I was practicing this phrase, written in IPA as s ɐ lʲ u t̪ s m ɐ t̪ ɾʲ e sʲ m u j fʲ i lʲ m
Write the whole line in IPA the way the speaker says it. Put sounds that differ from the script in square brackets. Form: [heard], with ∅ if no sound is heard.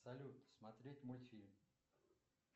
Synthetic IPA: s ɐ lʲ u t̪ s m ɐ t̪ ɾʲ e [tʲ] m [o] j fʲ i lʲ m